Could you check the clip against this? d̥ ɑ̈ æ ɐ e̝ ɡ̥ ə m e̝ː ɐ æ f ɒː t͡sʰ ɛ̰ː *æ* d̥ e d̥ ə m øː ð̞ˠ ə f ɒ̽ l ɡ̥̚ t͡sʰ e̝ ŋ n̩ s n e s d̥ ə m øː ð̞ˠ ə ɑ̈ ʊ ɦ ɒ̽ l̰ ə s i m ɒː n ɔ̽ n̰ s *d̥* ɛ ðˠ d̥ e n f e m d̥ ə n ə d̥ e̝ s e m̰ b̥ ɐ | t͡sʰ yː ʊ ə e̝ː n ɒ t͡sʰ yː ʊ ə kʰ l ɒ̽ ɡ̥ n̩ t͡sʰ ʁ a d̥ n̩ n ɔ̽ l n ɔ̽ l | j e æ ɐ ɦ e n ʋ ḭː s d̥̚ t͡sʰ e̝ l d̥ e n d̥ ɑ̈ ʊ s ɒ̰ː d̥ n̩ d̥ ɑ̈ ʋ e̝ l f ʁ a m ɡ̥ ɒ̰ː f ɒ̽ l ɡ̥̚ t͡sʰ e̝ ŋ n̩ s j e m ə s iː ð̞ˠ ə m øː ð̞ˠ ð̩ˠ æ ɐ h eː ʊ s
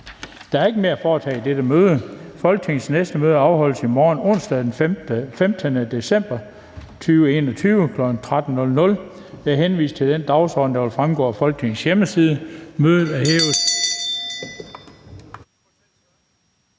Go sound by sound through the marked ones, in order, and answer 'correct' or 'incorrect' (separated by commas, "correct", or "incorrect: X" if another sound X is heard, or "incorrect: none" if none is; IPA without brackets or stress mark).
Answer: incorrect: i, correct